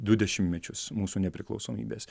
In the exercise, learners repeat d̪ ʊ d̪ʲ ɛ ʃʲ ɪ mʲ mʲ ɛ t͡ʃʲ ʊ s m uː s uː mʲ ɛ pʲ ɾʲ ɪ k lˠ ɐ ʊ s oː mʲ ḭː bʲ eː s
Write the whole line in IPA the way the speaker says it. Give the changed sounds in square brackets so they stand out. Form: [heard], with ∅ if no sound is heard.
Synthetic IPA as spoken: d̪ ʊ d̪ʲ ɛ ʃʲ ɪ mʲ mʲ ɛ t͡ʃʲ ʊ s m uː s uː [nʲ] ɛ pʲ ɾʲ ɪ k lˠ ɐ ʊ s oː mʲ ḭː bʲ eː s